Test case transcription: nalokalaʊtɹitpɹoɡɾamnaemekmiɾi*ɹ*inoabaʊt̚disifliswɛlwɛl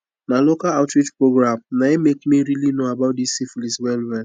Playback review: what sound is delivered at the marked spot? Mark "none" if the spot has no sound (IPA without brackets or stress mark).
l